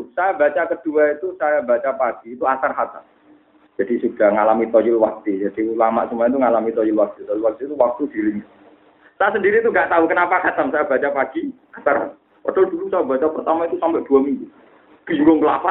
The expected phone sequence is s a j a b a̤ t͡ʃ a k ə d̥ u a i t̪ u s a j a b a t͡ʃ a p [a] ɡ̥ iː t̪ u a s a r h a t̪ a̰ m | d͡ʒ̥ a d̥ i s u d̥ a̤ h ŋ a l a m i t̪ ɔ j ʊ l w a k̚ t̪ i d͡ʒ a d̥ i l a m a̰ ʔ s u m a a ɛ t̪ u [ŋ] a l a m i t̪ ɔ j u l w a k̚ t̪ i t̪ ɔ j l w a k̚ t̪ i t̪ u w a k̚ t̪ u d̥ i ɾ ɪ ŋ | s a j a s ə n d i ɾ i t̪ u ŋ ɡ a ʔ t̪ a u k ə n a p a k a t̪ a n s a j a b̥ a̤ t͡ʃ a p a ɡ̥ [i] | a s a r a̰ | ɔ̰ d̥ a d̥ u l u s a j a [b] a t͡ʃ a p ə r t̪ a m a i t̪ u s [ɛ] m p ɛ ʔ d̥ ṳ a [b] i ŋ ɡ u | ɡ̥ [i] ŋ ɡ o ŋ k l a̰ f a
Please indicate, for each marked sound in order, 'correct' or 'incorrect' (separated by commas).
correct, correct, correct, correct, incorrect, incorrect, correct